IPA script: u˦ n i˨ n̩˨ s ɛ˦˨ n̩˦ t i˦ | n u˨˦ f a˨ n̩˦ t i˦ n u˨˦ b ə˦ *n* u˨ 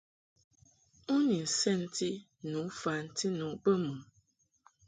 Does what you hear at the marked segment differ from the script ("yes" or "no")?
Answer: yes